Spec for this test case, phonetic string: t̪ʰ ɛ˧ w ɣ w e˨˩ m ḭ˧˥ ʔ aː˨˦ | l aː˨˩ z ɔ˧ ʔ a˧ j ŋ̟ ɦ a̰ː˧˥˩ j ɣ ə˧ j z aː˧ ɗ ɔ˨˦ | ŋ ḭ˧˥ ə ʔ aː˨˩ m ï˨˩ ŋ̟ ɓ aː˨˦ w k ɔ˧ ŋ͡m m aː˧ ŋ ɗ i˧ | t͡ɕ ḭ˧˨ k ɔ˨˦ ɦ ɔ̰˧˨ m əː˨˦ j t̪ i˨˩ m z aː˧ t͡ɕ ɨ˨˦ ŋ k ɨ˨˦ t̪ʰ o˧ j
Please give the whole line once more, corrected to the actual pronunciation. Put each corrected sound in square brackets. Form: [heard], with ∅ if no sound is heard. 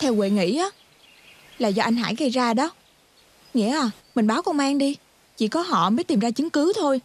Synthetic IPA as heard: t̪ʰ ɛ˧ w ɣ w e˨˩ [ŋ] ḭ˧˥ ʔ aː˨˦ | l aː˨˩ z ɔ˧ ʔ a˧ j ŋ̟ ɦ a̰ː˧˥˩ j ɣ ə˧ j z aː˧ ɗ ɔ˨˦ | ŋ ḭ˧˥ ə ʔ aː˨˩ m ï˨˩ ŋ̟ ɓ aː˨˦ w k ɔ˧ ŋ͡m m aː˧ ŋ ɗ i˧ | t͡ɕ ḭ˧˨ k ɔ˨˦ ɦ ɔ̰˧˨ m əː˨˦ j t̪ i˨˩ m z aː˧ t͡ɕ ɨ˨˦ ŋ k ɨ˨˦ t̪ʰ o˧ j